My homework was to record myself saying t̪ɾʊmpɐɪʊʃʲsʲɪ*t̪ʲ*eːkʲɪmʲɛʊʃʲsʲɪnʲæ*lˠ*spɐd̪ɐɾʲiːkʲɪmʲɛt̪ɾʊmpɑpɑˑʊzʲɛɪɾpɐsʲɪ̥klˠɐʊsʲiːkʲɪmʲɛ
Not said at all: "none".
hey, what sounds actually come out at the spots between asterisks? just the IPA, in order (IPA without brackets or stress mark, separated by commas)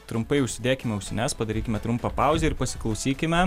d̪ʲ, none